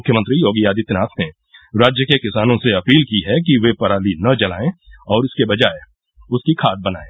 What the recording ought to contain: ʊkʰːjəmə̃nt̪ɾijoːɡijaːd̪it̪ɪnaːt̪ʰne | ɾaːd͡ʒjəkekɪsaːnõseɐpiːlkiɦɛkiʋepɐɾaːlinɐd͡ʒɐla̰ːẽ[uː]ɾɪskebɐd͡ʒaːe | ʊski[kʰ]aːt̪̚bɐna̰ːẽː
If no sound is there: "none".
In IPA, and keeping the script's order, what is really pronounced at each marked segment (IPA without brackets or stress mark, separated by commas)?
ɔː, kʰ